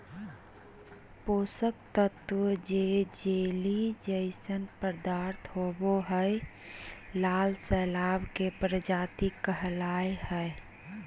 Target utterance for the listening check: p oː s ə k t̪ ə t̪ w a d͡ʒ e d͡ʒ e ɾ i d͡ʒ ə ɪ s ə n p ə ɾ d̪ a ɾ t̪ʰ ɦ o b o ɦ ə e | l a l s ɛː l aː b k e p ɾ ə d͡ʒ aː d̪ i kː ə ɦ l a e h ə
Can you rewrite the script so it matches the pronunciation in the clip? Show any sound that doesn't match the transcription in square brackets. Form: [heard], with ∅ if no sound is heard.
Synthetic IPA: p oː s ə k t̪ ə t̪ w [ə] d͡ʒ e d͡ʒ e [l] i d͡ʒ ə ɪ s ə n p ə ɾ d̪ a ɾ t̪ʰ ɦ o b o ɦ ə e | l a l s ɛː l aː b k e p ɾ ə d͡ʒ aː [t̪] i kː ə ɦ l a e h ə